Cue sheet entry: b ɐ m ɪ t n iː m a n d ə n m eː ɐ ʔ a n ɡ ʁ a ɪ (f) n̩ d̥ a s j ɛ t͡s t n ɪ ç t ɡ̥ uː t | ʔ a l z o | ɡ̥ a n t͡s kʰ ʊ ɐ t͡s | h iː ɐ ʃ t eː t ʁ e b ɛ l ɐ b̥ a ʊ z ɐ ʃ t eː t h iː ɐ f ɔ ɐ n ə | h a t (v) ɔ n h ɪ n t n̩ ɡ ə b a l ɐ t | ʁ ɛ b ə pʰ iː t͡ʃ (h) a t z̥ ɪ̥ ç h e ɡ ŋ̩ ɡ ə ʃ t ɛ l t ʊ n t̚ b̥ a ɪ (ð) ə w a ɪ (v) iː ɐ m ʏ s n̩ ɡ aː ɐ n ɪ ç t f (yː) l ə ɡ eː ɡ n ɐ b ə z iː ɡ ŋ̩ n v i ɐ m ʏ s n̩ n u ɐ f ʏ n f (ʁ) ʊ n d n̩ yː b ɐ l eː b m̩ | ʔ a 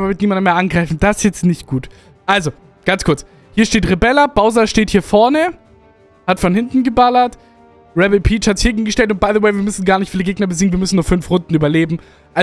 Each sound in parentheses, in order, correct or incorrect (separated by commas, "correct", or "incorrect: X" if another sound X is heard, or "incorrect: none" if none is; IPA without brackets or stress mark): correct, incorrect: f, correct, correct, correct, incorrect: iː, correct